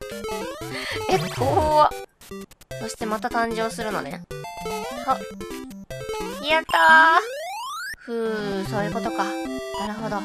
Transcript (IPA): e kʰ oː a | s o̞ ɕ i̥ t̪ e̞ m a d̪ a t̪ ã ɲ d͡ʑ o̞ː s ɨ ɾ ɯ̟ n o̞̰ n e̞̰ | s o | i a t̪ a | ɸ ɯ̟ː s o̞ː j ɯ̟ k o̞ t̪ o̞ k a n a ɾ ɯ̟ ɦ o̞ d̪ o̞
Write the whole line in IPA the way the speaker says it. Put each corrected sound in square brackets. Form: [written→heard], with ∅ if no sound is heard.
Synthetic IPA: e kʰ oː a | s o̞ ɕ i̥ t̪ e̞ m a [d̪→t̪] a t̪ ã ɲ d͡ʑ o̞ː s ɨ ɾ ɯ̟ n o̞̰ n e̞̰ | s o | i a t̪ a | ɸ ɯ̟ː s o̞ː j ɯ̟ k o̞ t̪ o̞ k a n a ɾ ɯ̟ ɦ o̞ d̪ o̞